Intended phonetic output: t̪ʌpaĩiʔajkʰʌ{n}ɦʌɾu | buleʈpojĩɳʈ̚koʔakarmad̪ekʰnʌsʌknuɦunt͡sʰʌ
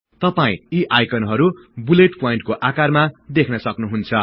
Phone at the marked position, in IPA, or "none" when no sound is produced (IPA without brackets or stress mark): n